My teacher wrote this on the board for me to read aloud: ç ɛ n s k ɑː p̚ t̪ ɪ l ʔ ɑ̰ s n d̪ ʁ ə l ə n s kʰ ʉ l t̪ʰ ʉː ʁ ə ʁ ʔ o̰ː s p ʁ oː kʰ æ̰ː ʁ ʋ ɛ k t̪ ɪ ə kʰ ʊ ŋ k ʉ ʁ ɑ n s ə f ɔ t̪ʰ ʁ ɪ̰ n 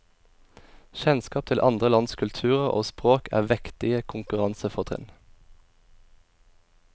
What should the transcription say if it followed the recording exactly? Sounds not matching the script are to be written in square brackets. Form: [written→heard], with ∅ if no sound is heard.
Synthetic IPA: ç ɛ n s k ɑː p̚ [t̪→t̪ʰ] ɪ l ʔ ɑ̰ [s→∅] n d̪ ʁ ə l [ə→ɑ] n s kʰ ʉ l t̪ʰ ʉː ʁ ə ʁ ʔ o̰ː s p ʁ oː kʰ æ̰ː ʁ ʋ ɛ k t̪ ɪ ə kʰ ʊ ŋ k ʉ ʁ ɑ n s ə f ɔ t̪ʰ ʁ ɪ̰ n